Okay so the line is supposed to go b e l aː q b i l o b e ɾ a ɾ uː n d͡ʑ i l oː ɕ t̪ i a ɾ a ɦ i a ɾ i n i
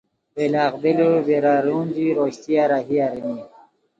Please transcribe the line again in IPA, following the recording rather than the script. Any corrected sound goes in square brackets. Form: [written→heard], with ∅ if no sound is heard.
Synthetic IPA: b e l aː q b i l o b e ɾ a ɾ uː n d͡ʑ i [l→ɾ] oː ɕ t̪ i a ɾ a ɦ i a ɾ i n i